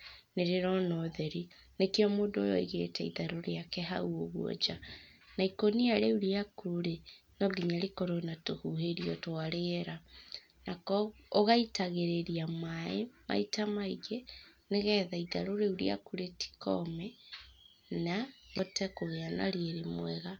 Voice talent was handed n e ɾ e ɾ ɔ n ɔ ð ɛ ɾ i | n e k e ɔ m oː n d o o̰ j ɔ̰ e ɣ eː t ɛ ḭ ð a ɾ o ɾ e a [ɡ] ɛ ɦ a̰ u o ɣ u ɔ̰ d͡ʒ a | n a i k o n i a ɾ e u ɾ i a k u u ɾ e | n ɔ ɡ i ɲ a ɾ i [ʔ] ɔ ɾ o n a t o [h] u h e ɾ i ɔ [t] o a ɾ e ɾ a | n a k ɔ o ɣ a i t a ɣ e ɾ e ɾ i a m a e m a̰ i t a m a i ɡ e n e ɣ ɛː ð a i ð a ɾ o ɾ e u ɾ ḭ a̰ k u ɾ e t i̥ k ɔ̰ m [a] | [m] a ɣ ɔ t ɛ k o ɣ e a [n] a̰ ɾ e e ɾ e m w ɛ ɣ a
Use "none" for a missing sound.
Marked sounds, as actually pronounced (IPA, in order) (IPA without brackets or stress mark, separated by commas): k, k, h, t, ɛ, n, n